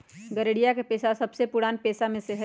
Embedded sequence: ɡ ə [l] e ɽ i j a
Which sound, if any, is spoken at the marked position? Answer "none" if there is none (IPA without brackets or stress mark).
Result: ɾ